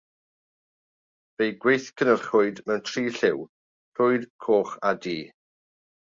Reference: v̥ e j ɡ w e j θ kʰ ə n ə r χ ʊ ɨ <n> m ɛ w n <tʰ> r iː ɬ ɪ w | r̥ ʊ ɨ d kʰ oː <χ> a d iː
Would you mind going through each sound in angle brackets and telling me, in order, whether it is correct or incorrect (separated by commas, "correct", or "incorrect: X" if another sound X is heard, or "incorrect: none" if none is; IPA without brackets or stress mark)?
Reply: incorrect: d, correct, correct